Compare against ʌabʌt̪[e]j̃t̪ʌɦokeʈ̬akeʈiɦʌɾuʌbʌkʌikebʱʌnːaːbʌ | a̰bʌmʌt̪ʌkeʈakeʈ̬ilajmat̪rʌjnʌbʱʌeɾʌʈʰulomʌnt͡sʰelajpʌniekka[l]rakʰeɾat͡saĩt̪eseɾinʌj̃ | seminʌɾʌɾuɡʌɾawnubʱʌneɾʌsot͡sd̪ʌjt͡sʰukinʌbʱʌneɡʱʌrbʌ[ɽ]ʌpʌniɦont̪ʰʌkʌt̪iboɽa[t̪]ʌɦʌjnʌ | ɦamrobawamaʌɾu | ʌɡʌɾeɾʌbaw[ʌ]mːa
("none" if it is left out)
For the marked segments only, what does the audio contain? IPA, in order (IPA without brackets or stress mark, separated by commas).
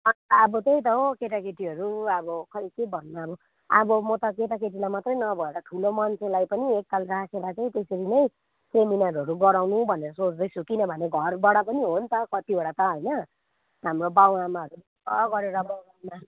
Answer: e, l, ɽ, t̪, a